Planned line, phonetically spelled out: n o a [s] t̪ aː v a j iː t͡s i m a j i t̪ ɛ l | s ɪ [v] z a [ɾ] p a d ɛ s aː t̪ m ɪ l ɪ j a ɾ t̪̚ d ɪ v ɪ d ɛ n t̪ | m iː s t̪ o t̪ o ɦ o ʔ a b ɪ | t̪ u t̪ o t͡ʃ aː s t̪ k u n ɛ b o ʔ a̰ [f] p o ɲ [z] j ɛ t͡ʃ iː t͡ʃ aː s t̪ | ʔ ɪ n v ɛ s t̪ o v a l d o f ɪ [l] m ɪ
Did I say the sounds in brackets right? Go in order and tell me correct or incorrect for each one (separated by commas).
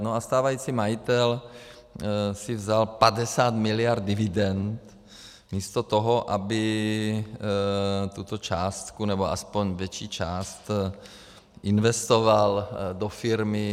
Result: correct, correct, incorrect, incorrect, incorrect, incorrect